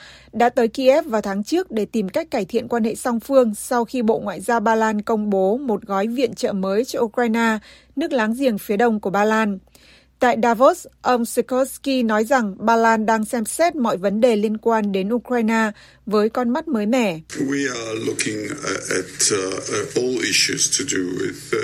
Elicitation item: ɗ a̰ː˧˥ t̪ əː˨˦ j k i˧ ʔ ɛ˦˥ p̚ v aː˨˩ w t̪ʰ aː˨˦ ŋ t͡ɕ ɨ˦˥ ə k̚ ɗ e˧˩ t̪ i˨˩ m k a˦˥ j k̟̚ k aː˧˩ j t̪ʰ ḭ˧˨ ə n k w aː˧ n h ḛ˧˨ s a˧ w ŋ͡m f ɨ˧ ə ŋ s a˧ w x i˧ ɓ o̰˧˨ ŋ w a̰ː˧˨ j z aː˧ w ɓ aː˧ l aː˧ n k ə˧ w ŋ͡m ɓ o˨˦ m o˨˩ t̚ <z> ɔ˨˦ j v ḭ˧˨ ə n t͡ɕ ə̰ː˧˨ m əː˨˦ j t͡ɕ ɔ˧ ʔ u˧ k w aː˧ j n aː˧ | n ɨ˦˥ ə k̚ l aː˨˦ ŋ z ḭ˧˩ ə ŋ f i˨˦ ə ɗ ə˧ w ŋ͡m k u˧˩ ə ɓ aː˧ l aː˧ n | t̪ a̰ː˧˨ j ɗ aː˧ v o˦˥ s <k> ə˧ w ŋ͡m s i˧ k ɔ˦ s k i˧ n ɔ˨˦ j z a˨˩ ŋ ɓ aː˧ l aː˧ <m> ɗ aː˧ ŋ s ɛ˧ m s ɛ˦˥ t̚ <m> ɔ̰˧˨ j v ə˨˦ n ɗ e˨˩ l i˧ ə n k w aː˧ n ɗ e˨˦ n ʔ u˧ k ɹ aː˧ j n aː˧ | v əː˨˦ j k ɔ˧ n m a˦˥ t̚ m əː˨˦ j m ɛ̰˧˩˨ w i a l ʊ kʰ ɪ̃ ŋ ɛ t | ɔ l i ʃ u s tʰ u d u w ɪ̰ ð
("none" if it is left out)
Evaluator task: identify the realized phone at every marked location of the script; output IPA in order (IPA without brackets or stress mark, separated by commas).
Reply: ɣ, ʔ, n, m